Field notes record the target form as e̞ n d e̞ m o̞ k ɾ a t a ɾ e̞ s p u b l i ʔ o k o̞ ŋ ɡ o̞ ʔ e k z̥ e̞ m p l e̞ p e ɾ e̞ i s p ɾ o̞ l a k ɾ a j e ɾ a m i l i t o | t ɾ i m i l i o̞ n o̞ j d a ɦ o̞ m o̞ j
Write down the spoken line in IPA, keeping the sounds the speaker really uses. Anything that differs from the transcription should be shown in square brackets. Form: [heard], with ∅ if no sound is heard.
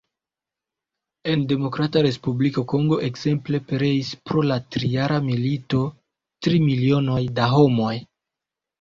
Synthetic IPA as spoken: e̞ n d e̞ m o̞ k ɾ a t a ɾ e̞ s p u b l i [k] o k o̞ ŋ ɡ o̞ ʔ e k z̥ e̞ m p l e̞ p e ɾ e̞ i s p ɾ o̞ l a [t] ɾ [i] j [a] ɾ a m i l i t o | t ɾ i m i l i o̞ n o̞ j d a ɦ o̞ m o̞ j